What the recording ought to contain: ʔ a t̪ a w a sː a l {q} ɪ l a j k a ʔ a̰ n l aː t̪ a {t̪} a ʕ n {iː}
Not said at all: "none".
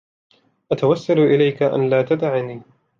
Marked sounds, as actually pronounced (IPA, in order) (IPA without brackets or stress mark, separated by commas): ʔ, d̪, iː